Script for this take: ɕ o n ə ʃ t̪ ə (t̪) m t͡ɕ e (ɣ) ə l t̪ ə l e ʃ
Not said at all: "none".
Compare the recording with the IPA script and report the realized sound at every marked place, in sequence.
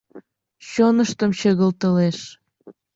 none, ɣ

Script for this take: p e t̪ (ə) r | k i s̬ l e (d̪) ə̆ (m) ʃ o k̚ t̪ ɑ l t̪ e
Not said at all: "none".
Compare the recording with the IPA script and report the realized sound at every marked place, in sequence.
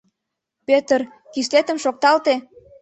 ə, t̪, m

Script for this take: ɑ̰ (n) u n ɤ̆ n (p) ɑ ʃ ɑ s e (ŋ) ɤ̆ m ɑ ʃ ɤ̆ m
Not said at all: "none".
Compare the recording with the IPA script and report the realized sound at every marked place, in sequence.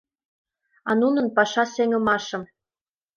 n, p, ŋ

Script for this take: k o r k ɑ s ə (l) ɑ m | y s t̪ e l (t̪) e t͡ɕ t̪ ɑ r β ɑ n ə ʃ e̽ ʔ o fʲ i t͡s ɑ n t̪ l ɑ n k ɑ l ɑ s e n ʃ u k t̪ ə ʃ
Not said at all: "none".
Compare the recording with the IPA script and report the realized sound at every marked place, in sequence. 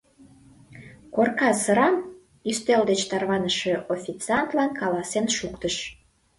ɾ, d̪

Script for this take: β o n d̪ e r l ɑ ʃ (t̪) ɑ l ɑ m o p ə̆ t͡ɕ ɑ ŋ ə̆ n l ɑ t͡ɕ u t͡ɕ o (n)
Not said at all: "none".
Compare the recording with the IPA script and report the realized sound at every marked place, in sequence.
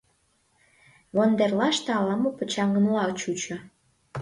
t̪, none

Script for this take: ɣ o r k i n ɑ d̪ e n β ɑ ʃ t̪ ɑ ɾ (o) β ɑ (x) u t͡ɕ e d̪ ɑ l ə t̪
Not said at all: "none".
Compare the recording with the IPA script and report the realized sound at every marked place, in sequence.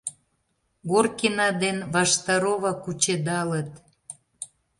o, k

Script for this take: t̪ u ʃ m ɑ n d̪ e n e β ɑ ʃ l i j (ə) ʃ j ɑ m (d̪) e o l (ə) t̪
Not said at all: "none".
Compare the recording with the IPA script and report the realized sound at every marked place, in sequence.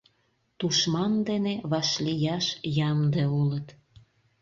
ɑ, d̪, ə

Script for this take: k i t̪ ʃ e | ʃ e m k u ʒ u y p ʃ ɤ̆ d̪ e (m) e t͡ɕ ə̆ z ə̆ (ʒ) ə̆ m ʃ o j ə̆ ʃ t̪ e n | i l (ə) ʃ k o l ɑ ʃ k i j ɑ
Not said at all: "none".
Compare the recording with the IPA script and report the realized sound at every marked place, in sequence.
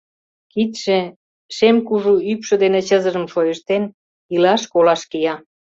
n, ʒ, ɑ

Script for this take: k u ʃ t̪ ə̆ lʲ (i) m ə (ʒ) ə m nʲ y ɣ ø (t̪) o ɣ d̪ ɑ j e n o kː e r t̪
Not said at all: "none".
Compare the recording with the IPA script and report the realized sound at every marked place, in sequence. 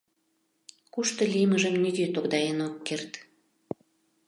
i, ʒ, t̪

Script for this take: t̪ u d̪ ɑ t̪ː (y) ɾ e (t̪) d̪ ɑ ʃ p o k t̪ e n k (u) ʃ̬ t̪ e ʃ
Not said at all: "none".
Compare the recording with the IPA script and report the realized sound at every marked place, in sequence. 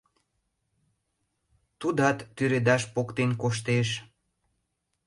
y, none, o

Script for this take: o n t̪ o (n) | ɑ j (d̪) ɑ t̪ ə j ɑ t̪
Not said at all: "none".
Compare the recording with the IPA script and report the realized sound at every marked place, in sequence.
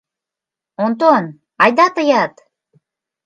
n, d̪

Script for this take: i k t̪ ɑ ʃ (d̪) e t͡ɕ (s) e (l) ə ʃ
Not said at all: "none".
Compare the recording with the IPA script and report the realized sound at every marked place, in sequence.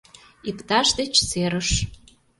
d̪, s, ɾ

